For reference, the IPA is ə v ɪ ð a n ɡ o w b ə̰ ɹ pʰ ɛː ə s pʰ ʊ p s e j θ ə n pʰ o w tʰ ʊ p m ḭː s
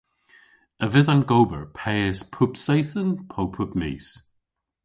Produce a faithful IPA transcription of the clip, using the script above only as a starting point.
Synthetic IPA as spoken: ə v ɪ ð a n ɡ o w b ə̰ ɹ pʰ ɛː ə s pʰ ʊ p s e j θ ə n pʰ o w pʰ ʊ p m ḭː s